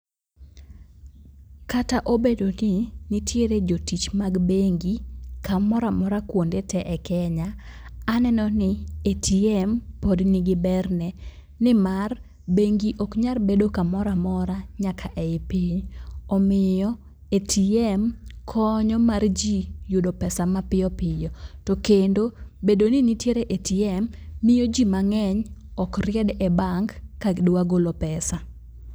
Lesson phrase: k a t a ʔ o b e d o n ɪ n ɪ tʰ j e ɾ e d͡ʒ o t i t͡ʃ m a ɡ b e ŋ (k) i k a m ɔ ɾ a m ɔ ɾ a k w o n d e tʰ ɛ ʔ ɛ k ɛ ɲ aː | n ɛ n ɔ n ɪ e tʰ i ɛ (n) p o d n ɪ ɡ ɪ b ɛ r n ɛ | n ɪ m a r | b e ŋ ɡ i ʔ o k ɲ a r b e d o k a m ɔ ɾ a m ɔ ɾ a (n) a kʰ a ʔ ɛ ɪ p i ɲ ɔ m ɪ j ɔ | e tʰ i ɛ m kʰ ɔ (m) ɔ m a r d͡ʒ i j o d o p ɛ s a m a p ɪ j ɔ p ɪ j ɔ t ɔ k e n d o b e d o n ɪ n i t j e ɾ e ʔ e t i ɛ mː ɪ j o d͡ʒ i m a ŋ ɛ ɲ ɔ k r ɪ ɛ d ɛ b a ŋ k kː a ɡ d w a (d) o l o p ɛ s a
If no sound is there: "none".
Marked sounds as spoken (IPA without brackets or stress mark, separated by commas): ɡ, m, ɲ, ɲ, ɡ